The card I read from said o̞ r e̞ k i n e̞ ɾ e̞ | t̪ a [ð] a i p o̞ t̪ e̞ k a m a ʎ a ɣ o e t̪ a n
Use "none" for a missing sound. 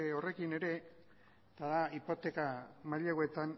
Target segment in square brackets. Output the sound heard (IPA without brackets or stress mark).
ð